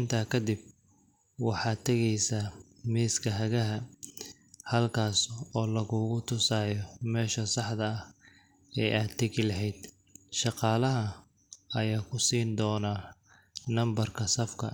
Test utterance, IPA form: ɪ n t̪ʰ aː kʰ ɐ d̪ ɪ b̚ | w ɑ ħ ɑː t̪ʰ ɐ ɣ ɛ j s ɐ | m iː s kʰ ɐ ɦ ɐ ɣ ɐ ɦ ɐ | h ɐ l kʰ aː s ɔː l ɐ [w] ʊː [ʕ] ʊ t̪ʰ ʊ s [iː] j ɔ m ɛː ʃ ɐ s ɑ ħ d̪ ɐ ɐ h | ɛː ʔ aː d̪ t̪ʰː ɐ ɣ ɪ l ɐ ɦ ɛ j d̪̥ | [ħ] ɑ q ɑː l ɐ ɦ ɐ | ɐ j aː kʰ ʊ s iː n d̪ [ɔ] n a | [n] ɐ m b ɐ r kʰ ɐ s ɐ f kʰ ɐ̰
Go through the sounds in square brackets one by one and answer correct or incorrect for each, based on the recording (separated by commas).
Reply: incorrect, incorrect, incorrect, incorrect, incorrect, correct